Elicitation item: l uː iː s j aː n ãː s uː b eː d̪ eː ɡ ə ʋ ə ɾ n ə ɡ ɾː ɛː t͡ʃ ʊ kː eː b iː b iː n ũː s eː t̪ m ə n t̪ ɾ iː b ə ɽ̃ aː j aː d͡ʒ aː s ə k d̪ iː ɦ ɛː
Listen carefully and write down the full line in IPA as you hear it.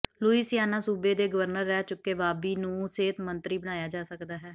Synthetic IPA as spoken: l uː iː s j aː n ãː s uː b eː d̪ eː ɡ ə ʋ ə ɾ n ə ɾː ɛː t͡ʃ ʊ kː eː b aː b iː n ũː s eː t̪ m ə n t̪ ɾ iː b ə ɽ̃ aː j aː d͡ʒ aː s ə k d̪ aː ɦ ɛː